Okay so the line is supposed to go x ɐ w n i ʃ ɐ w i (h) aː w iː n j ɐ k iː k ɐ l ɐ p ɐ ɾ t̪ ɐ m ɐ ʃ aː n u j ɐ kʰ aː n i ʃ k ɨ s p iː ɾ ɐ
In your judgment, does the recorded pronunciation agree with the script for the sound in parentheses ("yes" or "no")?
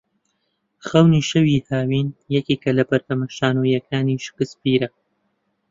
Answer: yes